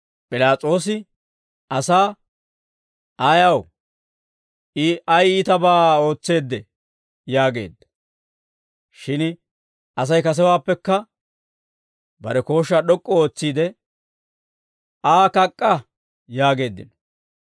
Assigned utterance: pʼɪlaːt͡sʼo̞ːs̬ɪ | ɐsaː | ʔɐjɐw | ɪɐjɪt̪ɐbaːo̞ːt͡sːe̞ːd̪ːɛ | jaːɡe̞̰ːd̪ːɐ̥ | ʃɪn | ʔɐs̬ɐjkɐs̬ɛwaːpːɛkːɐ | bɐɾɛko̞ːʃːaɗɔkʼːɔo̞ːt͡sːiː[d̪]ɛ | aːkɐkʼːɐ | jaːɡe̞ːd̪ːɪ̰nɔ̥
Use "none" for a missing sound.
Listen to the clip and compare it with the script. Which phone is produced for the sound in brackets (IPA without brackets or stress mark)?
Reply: d̪